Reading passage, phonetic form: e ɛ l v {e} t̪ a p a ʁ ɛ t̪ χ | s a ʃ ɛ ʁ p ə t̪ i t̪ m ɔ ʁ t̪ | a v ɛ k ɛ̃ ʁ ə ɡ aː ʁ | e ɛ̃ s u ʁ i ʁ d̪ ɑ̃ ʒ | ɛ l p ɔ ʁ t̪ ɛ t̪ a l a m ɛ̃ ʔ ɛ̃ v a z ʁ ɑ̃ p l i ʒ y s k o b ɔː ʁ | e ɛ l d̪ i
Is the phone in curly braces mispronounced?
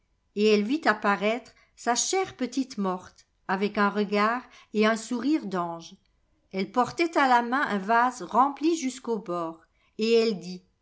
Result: yes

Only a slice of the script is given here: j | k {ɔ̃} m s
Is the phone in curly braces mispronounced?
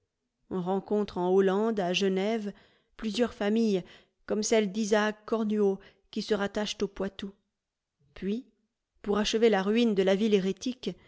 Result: yes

